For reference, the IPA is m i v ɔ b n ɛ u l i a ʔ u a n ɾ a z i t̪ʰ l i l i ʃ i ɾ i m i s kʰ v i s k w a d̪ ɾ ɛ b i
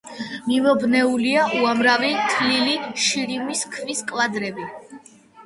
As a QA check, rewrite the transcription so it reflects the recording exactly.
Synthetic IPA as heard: m i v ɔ b n ɛ u l i a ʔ u a m ɾ a v i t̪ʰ l i l i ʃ i ɾ i m i s kʰ v i s kʼ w a d̪ ɾ ɛ b i